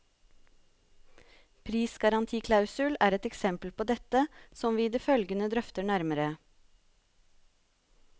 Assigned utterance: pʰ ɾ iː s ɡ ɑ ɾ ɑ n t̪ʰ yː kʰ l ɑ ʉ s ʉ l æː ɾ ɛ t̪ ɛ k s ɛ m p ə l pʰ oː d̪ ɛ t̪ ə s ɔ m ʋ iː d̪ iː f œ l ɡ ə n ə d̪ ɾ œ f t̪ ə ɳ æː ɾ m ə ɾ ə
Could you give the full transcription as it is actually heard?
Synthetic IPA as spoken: pʰ ɾ iː s ɡ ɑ ɾ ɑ n t̪ʰ iː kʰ l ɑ ʉ s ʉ l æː ɾ ɛ t̪ ɛ k s ɛ m p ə l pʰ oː d̪ ɛ t̪ ə s ɔ m ʋ iː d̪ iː f œ l ɡ ə n ə d̪ ɾ œ f t̪ ə ɳ æ ɾ m ə ɾ ə